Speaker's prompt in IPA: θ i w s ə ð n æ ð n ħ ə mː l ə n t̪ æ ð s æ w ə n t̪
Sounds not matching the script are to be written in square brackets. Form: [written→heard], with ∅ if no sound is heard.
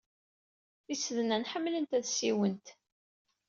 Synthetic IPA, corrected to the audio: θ i [w→∅] s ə ð n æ [ð→∅] n ħ ə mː l ə n t̪ æ ð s [æ→i] w ə n t̪